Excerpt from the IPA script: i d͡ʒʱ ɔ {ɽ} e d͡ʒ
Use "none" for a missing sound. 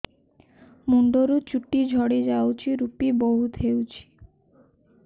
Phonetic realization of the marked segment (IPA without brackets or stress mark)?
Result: ɽ